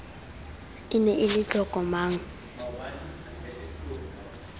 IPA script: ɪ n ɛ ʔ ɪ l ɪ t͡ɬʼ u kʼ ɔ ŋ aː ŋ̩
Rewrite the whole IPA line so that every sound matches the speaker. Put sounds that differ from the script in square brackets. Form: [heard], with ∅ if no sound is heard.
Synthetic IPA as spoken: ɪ n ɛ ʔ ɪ l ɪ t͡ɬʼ [ɔ] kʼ ɔ [m] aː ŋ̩